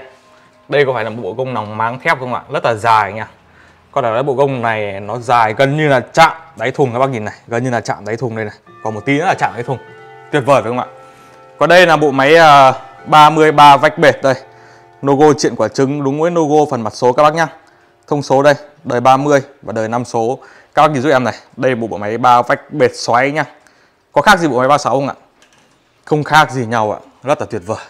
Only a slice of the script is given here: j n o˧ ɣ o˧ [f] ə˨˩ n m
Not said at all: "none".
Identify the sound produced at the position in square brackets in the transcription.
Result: f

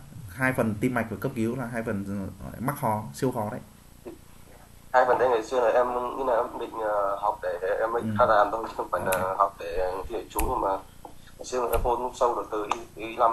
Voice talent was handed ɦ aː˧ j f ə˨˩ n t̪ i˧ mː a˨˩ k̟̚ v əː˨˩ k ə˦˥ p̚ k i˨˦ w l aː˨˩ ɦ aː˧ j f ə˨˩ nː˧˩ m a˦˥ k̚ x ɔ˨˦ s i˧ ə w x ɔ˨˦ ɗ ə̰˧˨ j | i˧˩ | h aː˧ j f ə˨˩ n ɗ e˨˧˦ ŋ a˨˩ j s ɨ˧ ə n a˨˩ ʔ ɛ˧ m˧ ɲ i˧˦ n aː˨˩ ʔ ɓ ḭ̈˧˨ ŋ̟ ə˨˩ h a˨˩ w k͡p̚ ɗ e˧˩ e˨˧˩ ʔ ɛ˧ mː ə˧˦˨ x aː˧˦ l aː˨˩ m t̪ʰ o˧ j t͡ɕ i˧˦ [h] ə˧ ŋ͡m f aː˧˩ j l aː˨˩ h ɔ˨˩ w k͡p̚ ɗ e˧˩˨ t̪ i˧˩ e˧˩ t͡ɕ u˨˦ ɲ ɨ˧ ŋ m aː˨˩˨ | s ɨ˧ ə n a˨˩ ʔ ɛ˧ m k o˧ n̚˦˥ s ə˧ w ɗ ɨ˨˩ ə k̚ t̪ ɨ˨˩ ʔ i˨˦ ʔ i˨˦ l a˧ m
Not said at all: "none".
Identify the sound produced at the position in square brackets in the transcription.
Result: x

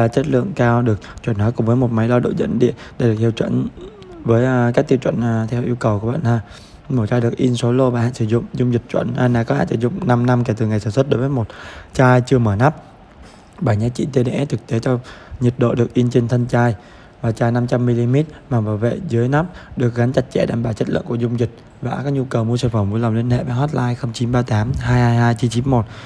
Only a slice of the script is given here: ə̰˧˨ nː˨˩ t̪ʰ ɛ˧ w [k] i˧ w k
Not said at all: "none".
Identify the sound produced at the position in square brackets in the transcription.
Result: ʔ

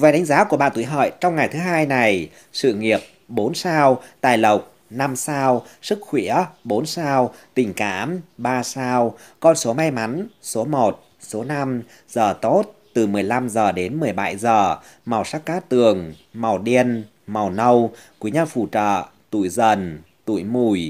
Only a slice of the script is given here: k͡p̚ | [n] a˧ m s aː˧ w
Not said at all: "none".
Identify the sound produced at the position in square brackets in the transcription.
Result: n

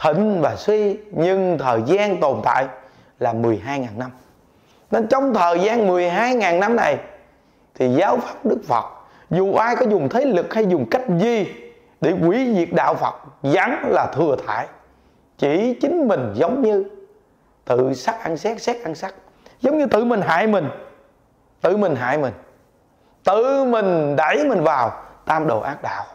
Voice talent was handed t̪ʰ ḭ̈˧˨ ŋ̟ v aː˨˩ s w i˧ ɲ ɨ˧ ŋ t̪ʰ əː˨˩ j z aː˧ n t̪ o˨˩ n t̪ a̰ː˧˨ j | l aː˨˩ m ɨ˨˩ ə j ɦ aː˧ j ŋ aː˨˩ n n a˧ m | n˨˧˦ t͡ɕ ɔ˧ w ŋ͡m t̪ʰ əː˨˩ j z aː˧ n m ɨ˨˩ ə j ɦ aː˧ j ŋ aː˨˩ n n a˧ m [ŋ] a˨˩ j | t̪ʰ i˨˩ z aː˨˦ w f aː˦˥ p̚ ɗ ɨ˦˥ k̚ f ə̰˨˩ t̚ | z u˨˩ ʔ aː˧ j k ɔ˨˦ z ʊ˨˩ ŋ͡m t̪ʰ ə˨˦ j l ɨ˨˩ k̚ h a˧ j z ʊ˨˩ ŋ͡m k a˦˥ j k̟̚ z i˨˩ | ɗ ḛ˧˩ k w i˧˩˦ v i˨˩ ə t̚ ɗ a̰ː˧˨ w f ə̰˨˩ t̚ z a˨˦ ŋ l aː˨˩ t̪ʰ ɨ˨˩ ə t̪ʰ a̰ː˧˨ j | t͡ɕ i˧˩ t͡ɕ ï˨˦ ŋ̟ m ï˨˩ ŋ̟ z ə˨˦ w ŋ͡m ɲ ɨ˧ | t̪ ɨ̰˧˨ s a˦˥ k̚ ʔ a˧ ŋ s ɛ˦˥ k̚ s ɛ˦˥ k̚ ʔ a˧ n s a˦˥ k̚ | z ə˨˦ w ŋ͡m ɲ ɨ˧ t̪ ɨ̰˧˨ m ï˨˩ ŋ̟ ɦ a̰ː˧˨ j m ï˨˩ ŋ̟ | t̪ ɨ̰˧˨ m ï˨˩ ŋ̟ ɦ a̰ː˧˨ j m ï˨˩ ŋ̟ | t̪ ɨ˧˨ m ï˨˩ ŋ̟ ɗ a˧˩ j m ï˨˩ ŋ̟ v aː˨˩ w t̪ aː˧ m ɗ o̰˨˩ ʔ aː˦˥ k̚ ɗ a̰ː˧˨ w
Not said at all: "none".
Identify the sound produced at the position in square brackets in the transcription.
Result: n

